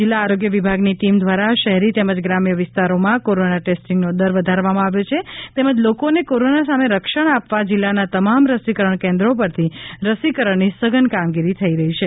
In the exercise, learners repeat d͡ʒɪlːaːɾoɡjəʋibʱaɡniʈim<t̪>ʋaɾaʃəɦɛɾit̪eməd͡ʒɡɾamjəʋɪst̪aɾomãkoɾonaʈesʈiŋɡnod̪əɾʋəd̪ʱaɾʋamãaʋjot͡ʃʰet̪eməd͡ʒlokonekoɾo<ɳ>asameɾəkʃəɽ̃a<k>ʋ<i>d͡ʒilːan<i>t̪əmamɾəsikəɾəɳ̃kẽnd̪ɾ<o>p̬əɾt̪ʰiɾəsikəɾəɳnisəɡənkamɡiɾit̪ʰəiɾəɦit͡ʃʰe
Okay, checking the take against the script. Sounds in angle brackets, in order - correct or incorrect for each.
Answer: incorrect: d̪, incorrect: n, incorrect: p, incorrect: a, incorrect: a, correct

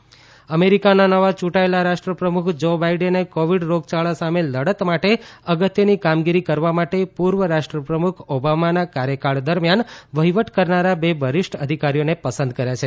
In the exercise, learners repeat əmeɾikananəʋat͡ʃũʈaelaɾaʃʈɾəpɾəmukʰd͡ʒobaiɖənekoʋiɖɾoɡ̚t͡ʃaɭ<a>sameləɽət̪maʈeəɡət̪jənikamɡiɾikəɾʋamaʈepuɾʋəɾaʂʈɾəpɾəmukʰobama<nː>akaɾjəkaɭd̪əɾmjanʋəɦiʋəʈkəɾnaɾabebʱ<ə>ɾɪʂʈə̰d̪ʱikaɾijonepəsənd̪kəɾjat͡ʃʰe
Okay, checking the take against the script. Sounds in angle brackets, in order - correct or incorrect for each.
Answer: correct, incorrect: n, correct

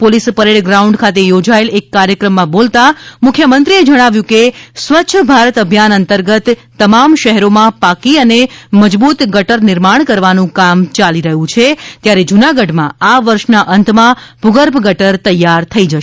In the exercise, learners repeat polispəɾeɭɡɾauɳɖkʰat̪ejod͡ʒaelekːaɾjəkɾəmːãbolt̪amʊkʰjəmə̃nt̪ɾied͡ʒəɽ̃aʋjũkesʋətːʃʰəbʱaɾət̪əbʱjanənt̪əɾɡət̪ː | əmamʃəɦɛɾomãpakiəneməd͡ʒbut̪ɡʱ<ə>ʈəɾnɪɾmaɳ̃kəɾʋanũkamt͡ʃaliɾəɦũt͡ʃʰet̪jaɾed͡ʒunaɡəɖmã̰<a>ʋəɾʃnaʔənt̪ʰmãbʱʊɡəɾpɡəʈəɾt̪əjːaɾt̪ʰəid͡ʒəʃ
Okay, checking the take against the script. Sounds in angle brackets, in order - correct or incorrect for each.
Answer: correct, correct

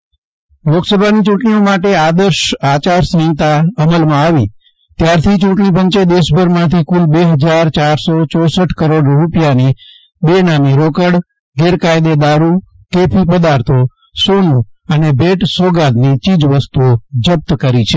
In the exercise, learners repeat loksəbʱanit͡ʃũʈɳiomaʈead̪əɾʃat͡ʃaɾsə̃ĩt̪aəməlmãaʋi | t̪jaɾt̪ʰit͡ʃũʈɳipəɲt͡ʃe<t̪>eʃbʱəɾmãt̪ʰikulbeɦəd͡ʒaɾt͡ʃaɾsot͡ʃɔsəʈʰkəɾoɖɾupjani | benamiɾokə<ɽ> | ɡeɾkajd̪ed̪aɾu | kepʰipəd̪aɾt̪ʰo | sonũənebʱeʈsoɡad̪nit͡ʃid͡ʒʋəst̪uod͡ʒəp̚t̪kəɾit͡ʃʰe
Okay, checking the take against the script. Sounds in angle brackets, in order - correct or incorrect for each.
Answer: incorrect: d̪, correct

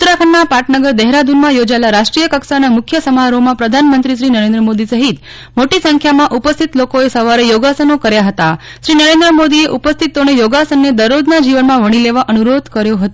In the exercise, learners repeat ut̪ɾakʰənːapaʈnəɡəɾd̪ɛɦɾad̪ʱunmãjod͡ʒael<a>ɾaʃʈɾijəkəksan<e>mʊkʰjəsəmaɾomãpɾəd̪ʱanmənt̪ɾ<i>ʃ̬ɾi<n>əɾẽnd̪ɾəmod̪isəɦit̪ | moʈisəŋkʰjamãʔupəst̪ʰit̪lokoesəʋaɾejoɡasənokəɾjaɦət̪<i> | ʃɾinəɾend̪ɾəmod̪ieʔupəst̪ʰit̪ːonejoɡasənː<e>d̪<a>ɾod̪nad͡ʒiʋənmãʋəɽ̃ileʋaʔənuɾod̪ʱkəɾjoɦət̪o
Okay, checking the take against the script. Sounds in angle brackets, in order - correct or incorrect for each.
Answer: correct, incorrect: a, correct, correct, incorrect: a, correct, incorrect: ə

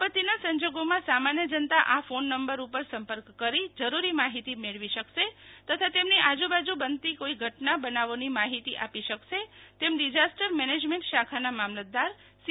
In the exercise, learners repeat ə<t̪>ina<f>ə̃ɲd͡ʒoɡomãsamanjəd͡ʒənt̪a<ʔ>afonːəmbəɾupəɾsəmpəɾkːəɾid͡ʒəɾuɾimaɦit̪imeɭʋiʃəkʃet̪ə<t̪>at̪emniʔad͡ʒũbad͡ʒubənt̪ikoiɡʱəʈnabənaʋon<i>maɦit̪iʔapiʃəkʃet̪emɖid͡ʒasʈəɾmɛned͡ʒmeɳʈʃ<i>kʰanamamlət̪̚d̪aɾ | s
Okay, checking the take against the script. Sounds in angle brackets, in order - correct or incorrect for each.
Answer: correct, incorrect: s, correct, incorrect: t̪ʰ, correct, incorrect: a

